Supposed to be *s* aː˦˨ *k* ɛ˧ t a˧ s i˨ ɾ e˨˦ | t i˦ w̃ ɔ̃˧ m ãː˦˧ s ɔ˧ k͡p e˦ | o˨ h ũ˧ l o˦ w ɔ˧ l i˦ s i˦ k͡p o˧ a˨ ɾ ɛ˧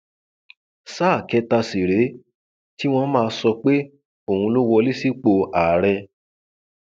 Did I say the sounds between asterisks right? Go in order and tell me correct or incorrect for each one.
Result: correct, correct

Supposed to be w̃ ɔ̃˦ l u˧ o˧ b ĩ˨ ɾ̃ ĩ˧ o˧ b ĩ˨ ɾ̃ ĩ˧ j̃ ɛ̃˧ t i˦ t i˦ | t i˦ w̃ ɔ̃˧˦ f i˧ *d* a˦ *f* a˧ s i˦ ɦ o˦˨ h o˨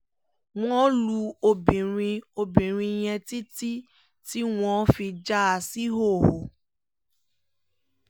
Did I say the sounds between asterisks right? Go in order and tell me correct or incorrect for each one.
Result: incorrect, incorrect

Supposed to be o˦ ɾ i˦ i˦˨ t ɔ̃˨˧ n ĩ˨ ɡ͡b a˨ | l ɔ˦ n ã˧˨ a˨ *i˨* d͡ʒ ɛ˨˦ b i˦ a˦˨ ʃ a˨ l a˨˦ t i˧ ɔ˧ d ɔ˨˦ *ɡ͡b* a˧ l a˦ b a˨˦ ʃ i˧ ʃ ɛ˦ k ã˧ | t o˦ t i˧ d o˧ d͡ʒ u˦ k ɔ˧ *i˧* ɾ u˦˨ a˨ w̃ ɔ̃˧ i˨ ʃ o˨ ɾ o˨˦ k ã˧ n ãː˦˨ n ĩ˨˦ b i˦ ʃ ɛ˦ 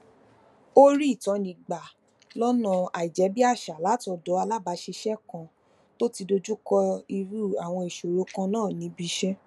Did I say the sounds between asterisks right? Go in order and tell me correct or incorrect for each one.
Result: correct, incorrect, correct

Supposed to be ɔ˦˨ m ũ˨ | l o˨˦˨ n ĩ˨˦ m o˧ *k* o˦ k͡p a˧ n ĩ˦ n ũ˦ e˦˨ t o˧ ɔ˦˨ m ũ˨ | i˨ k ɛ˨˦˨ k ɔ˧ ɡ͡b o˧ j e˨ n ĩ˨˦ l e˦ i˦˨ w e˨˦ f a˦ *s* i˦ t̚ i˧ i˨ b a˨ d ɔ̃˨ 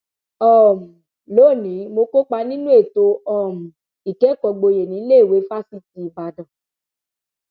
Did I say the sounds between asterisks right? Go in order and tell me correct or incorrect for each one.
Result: correct, correct

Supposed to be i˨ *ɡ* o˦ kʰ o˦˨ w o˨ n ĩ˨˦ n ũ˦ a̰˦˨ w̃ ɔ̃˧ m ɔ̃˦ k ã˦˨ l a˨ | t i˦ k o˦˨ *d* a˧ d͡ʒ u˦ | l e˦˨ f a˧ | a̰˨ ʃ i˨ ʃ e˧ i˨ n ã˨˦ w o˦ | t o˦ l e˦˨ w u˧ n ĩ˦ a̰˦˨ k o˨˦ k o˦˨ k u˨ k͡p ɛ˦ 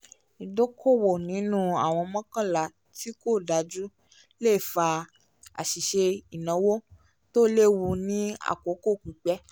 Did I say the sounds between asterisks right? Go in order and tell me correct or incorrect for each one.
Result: incorrect, correct

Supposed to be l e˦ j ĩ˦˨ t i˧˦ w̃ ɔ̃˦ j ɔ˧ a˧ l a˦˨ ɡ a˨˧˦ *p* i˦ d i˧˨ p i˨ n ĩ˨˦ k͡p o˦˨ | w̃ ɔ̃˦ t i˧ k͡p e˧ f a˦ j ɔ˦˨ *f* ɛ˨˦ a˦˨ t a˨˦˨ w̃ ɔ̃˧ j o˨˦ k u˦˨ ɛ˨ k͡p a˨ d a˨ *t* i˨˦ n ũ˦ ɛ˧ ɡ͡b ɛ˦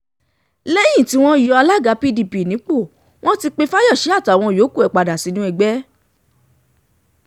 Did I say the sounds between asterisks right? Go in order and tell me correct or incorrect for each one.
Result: correct, incorrect, incorrect

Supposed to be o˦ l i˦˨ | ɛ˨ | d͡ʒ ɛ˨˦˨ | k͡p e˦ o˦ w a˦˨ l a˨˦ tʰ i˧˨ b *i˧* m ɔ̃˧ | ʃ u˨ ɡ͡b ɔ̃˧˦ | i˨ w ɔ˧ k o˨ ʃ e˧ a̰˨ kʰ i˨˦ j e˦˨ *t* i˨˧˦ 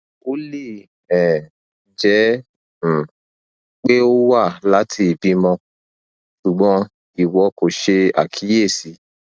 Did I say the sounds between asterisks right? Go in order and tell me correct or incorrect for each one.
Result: correct, incorrect

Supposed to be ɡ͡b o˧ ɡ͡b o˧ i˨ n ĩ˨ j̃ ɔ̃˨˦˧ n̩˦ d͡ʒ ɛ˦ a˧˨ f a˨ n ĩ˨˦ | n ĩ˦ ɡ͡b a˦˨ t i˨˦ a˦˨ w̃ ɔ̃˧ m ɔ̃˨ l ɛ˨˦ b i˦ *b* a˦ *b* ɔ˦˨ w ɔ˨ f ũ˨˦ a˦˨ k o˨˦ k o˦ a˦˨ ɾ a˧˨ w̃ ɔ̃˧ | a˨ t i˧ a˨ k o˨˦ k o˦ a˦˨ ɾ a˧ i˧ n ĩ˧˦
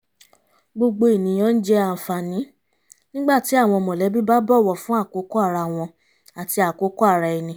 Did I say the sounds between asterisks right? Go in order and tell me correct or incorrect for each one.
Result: correct, correct

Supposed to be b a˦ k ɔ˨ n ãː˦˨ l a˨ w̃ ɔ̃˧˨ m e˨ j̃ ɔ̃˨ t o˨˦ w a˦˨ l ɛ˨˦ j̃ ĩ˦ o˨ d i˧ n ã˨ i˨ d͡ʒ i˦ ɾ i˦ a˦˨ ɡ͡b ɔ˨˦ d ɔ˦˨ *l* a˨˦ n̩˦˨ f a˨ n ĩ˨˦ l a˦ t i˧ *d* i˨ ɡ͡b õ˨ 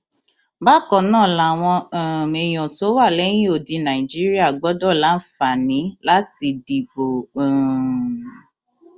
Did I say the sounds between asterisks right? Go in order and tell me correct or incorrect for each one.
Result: correct, correct

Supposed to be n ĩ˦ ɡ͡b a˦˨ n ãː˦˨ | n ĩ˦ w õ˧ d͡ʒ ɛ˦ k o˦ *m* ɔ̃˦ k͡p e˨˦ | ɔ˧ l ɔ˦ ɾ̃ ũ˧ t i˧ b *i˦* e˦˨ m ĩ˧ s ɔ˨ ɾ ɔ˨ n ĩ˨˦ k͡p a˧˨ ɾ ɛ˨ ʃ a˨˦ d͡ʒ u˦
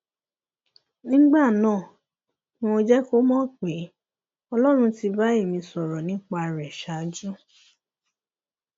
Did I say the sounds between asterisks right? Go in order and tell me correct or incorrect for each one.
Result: correct, incorrect

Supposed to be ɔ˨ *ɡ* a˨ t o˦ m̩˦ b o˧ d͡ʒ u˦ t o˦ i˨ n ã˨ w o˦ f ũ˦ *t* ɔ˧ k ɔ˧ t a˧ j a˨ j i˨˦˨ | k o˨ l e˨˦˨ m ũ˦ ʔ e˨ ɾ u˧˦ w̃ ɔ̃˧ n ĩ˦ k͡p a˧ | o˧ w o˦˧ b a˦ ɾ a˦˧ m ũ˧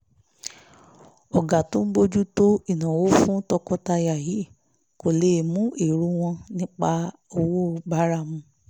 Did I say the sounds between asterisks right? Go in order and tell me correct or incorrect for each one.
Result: correct, correct

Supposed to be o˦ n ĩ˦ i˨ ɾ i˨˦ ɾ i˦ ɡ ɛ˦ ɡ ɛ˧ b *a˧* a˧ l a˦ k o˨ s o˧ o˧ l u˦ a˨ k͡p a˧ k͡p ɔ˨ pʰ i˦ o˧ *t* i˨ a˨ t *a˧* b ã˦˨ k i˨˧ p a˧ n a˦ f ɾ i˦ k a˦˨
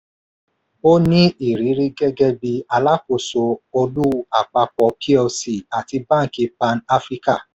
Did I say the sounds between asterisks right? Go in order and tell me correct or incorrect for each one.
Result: incorrect, incorrect, incorrect

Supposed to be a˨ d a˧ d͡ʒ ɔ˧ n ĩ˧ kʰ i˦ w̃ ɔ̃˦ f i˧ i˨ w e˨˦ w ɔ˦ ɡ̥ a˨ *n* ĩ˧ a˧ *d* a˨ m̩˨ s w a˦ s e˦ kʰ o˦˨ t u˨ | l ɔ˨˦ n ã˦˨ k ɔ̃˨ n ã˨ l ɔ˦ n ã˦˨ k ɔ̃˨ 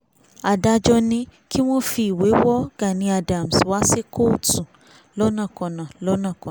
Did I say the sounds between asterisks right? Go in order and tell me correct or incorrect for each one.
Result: correct, correct

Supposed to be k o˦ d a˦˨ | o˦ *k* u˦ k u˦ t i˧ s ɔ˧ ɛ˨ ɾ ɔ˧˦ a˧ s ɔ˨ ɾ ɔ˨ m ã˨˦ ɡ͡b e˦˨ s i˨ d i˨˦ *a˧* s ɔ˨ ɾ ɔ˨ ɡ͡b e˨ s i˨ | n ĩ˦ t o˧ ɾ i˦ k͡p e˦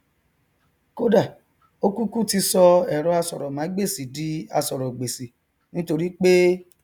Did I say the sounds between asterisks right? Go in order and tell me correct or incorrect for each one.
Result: correct, correct

